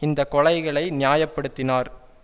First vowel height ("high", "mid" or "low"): high